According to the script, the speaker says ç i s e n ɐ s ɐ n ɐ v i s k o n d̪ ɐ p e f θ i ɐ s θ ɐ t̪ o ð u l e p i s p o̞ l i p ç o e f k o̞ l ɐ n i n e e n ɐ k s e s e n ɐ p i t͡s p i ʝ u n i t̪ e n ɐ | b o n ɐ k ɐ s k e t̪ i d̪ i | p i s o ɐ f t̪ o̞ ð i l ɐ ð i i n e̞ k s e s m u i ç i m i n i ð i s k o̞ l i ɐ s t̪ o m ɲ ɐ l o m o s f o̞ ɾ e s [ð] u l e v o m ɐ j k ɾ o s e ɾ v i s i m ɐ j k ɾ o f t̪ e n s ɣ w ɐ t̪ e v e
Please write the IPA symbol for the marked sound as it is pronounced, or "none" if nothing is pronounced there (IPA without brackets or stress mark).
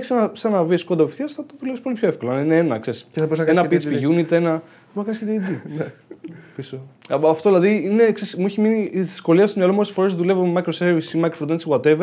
ð